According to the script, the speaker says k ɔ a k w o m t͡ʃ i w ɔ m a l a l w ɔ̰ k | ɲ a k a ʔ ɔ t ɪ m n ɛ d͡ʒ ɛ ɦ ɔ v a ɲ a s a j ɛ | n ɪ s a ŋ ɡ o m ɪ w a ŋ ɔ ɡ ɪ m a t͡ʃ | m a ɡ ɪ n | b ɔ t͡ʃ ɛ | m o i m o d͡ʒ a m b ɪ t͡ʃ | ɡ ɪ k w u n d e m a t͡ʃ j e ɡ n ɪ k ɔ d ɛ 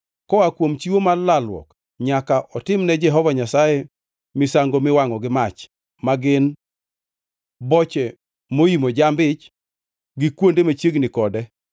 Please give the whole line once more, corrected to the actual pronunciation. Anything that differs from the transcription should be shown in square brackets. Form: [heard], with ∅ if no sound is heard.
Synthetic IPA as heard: k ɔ a k w o m t͡ʃ i w [o] m a l a l w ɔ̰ k | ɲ a k a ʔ ɔ t ɪ m n ɛ d͡ʒ ɛ ɦ ɔ v a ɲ a s a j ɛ | [m] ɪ s a ŋ ɡ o m ɪ w a ŋ ɔ ɡ ɪ m a t͡ʃ | m a ɡ ɪ n | b ɔ t͡ʃ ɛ | m o i m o d͡ʒ a m b ɪ t͡ʃ | ɡ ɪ k w [o] n d e m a t͡ʃ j e ɡ n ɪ k ɔ d ɛ